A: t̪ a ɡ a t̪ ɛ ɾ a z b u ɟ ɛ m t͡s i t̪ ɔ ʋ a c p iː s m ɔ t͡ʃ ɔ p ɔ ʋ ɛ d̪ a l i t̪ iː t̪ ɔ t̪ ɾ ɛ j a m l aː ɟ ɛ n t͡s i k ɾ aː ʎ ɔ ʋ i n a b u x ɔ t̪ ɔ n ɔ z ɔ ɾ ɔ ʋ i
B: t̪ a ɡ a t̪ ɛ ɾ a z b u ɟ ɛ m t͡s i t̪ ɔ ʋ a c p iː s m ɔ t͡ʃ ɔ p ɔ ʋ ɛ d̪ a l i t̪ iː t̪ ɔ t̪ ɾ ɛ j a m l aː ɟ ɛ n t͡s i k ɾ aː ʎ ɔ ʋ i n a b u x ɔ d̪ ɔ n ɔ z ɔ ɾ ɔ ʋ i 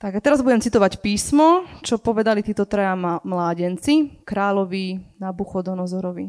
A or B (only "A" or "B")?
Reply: B